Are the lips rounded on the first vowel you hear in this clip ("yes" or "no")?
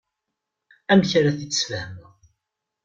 no